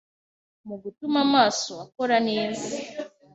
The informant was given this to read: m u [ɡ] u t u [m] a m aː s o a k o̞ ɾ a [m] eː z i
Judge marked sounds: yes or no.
yes, yes, no

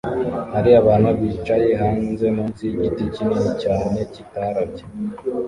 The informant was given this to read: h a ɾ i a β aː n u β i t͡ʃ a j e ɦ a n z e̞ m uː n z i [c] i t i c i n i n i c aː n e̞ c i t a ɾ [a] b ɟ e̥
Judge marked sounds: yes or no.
no, yes

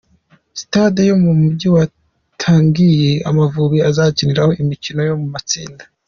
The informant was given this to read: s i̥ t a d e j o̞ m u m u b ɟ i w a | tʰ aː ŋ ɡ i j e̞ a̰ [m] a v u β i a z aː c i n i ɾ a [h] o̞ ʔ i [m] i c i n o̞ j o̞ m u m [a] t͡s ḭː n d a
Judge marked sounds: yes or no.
yes, yes, yes, yes

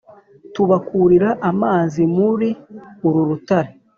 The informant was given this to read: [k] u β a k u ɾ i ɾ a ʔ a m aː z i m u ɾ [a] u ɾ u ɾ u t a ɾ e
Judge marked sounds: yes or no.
no, no

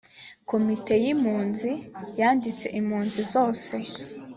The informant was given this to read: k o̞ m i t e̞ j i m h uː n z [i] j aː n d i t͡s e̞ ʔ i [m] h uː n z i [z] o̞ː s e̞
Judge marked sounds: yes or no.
yes, yes, yes

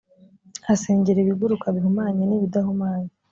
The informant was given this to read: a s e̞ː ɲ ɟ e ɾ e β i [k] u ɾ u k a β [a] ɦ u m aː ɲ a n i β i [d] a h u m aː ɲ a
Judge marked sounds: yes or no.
no, no, yes

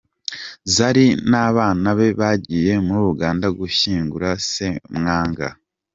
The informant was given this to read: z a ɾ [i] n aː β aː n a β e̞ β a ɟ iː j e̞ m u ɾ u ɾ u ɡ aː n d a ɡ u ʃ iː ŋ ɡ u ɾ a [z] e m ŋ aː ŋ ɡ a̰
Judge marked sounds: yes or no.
yes, no

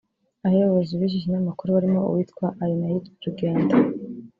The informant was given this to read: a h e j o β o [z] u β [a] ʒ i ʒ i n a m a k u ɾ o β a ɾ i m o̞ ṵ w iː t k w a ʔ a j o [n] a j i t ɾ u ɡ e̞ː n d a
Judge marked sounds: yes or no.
yes, no, yes

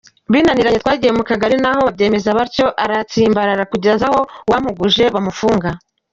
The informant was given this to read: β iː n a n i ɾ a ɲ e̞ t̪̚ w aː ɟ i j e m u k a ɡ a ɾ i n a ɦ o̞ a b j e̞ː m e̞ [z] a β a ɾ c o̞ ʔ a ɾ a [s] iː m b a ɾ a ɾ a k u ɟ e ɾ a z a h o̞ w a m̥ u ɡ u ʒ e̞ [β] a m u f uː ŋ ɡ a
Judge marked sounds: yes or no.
yes, no, yes

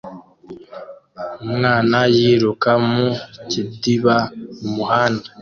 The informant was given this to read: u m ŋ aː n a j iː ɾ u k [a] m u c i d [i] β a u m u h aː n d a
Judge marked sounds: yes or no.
yes, yes

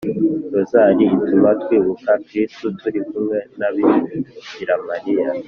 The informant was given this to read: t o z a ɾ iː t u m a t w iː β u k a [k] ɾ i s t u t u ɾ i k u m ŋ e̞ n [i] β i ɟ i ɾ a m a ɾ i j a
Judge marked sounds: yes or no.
yes, no

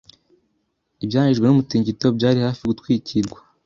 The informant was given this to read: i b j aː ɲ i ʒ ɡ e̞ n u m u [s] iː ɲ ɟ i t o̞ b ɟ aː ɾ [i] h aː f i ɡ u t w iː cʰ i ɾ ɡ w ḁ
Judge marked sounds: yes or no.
no, yes

